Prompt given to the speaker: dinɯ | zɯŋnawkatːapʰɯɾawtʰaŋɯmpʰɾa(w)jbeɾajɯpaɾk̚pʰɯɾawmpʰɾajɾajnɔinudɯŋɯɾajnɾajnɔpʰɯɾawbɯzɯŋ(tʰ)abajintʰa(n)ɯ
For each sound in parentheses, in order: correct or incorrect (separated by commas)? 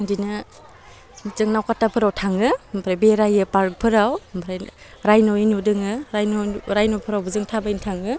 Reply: incorrect, correct, incorrect